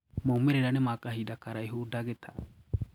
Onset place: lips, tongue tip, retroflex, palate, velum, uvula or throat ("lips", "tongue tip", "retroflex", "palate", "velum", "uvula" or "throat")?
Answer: lips